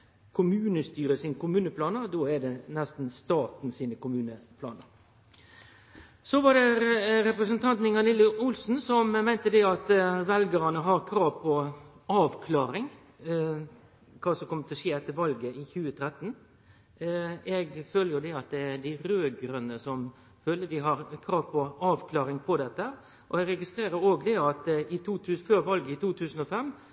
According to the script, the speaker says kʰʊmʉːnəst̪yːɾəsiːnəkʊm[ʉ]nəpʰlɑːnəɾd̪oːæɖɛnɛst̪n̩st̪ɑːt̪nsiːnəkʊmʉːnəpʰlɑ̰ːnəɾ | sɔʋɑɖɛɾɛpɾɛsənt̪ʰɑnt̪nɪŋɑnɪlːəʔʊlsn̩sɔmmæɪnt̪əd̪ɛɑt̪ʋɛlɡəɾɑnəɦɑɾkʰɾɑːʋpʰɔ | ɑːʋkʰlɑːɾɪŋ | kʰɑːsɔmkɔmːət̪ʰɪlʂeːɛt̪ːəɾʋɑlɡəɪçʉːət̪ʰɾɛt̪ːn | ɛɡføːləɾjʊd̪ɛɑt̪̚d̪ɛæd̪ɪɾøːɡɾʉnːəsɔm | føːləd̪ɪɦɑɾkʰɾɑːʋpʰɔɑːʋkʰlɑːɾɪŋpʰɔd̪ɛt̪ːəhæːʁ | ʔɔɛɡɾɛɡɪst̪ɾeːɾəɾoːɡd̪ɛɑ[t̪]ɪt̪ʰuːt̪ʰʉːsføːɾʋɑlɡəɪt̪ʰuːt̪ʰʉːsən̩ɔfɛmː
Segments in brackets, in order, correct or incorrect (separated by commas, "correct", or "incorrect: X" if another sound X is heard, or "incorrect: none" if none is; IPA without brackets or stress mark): incorrect: ʉː, correct